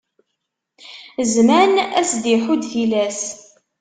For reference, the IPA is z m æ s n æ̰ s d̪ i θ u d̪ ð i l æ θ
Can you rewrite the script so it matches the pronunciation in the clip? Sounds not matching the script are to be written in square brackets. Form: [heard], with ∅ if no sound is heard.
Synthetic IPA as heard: z m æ [∅] n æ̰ s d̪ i [ħ] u d̪ [θ] i l æ [s]